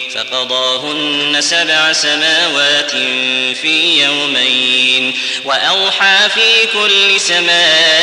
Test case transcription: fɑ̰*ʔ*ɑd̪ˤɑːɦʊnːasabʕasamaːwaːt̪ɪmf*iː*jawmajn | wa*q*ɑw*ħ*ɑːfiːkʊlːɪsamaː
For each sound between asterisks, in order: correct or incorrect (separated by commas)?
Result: incorrect, correct, incorrect, correct